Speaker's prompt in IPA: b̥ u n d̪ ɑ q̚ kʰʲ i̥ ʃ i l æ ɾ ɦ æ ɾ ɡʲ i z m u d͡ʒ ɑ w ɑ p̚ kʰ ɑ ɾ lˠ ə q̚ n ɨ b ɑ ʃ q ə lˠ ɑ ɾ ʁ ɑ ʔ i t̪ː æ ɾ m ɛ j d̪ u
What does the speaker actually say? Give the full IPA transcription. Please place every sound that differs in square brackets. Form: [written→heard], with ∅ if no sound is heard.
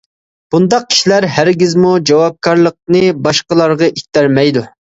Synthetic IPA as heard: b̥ u n d̪ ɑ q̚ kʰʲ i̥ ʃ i l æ ɾ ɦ æ ɾ ɡʲ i z m u d͡ʒ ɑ w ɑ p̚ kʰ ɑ ɾ lˠ ə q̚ n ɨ b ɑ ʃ q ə lˠ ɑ ɾ ʁ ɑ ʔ i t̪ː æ ɾ m ɛ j d̪ u

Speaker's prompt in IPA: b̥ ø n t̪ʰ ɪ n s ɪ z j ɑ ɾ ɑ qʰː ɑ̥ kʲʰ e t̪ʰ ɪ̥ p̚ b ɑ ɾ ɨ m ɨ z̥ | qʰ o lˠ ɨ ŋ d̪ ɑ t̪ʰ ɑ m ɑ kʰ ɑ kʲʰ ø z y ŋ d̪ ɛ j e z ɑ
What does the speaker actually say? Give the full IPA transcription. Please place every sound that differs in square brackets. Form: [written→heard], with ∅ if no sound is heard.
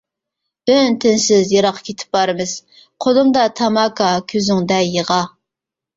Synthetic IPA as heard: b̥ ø n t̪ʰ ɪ n s ɪ z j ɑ ɾ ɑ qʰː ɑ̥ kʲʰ e t̪ʰ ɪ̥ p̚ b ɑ ɾ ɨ m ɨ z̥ | qʰ o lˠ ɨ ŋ d̪ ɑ t̪ʰ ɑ m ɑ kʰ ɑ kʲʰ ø z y ŋ d̪ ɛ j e [z→ʁ] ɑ

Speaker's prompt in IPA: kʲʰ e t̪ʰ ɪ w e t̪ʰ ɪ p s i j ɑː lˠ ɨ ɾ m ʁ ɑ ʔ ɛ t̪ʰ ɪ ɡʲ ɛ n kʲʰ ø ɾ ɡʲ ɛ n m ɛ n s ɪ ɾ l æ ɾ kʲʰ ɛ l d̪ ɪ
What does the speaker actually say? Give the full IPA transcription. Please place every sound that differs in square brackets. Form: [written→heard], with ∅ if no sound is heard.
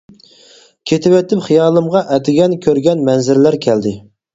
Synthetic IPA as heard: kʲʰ e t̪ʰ ɪ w [e→ɛ] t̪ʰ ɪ p [s→χ] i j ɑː lˠ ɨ [ɾ→∅] m ʁ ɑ ʔ ɛ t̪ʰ ɪ ɡʲ ɛ n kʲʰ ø ɾ ɡʲ ɛ n m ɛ n [s→z] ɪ ɾ l æ ɾ kʲʰ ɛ l d̪ ɪ

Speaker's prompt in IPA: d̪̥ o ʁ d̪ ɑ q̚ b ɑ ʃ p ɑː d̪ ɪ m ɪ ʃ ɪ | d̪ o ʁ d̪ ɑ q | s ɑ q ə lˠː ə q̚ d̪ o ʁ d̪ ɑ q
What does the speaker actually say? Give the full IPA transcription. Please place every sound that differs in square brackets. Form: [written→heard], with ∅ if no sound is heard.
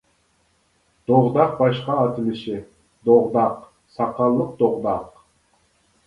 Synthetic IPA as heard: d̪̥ o ʁ d̪ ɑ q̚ b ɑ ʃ [p→q] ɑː [d̪→t̪] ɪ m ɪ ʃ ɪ | d̪ o ʁ d̪ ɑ q | s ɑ q [ə→ɑ] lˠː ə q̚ d̪ o ʁ d̪ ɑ q

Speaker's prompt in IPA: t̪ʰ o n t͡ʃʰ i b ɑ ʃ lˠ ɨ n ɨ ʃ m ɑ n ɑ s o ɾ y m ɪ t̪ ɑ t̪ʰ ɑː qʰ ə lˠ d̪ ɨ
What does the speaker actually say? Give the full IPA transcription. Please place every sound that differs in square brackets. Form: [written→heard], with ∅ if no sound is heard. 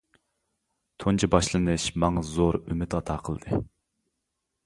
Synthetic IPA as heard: t̪ʰ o n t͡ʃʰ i b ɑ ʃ lˠ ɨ n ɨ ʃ m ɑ [n→ŋ] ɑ [s→z] o ɾ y m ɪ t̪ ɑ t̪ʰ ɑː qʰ ə lˠ d̪ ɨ

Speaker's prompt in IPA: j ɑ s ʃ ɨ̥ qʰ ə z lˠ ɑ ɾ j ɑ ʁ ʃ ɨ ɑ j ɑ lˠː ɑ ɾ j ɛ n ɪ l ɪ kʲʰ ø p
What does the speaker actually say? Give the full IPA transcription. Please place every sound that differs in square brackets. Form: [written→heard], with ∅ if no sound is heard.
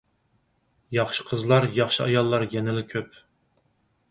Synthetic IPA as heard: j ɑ [s→χ] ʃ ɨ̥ qʰ ə z lˠ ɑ ɾ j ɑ [ʁ→χ] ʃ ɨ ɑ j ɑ lˠː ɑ ɾ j ɛ n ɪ l ɪ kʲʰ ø p

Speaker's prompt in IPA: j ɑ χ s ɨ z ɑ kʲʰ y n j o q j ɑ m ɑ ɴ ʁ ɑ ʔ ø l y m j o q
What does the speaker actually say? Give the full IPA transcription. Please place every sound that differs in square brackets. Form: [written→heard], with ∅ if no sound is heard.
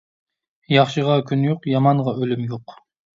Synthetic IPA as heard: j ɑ χ [s→ʃ] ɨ [z→ʁ] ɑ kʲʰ y n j o q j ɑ m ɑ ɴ ʁ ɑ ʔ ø l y m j o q

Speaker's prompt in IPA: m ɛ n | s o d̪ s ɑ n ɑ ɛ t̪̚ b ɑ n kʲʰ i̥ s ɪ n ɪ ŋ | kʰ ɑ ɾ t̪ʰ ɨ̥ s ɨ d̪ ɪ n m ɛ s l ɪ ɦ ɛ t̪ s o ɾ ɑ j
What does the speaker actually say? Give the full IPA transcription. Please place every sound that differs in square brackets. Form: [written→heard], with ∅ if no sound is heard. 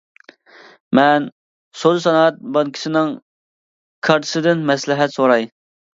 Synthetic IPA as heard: m ɛ n | s o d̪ s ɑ n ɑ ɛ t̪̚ b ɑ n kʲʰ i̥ s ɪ n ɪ ŋ | kʰ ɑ ɾ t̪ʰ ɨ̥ s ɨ d̪ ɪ n m ɛ s l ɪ ɦ ɛ t̪ s o ɾ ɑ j

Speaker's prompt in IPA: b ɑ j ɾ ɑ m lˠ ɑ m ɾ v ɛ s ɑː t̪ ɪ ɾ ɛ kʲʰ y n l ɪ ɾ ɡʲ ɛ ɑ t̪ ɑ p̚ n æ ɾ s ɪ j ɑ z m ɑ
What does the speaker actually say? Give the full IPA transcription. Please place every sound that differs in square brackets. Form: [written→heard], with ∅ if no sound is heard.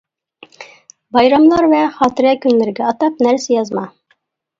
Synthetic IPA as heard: b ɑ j ɾ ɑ m lˠ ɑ [m→∅] ɾ v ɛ [s→χ] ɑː t̪ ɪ ɾ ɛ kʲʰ y n l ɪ ɾ ɡʲ ɛ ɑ t̪ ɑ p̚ n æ ɾ s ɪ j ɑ z m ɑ

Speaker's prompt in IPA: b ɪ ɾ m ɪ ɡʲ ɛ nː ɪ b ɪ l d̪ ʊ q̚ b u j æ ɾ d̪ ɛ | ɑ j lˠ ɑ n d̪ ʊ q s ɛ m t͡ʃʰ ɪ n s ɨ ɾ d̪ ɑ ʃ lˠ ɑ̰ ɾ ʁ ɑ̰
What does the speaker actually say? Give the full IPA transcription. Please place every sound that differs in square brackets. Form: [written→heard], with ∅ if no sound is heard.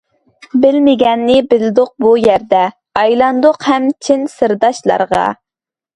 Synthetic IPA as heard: b ɪ [ɾ→l] m ɪ ɡʲ ɛ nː ɪ b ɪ l d̪ ʊ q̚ b u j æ ɾ d̪ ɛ | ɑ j lˠ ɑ n d̪ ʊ q [s→h] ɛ m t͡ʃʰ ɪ n s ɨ ɾ d̪ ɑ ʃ lˠ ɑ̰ ɾ ʁ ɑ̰

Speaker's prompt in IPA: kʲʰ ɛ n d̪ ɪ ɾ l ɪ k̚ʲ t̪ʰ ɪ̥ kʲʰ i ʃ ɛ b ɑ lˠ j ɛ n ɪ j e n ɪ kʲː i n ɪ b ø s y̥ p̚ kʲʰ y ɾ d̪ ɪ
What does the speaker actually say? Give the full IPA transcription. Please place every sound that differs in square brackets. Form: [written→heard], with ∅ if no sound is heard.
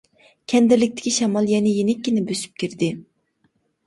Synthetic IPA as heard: kʲʰ ɛ n d̪ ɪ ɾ l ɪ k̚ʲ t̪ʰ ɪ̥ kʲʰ i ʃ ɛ [b→m] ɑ lˠ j ɛ n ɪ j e n ɪ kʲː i n ɪ b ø s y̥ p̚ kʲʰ [y→i] ɾ d̪ ɪ

